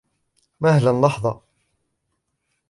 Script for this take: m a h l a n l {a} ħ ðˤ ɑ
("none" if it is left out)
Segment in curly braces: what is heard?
ɑ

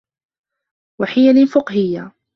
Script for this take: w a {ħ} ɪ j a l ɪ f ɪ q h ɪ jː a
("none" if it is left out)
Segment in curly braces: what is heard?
ħ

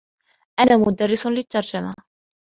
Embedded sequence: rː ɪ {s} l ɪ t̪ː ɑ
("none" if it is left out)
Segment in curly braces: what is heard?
s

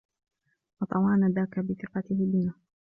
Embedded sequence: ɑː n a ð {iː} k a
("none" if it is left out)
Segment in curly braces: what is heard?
aː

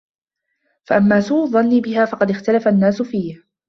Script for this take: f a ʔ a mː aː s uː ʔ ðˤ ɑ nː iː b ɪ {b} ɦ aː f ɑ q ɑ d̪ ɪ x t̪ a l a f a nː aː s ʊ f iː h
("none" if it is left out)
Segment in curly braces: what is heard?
none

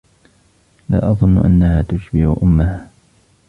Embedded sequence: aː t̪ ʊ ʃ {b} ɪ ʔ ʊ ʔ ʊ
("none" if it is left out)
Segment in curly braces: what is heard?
b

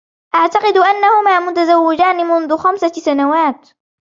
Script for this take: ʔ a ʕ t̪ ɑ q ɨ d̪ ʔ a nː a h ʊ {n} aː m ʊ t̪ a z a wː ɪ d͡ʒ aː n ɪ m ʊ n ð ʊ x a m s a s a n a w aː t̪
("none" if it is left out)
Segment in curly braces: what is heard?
m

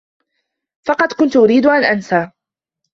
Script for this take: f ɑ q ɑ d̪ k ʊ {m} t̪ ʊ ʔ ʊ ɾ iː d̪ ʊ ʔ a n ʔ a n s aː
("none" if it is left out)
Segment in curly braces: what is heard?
n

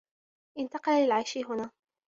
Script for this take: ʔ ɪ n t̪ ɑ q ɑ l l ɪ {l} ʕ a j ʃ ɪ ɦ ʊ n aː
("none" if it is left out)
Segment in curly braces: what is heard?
l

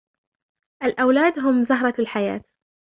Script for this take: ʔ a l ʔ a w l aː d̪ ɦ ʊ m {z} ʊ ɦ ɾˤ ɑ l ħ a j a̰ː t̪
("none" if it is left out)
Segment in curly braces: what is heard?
z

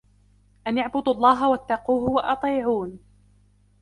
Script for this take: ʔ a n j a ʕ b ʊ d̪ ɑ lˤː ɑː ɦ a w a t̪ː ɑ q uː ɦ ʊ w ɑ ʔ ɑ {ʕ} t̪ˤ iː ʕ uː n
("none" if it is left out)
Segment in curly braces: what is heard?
none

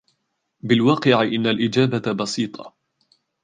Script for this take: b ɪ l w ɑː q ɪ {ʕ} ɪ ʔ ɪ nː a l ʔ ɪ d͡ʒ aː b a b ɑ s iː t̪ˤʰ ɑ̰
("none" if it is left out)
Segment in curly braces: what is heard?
ʕ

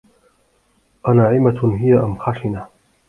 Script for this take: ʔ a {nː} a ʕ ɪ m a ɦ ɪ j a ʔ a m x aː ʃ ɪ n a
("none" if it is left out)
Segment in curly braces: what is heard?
n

